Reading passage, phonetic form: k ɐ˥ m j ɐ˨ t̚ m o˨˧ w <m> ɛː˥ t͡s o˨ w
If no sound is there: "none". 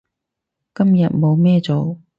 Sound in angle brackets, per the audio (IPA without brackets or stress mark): m